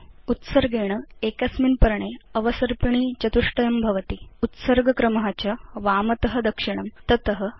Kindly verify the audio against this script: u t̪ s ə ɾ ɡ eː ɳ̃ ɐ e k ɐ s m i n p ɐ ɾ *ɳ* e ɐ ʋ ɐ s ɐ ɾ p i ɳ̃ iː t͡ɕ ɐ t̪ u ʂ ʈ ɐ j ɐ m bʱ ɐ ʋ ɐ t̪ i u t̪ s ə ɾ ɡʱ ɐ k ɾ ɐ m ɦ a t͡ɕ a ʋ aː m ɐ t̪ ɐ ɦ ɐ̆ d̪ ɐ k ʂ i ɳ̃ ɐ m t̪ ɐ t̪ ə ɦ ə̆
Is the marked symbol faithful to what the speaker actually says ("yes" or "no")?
yes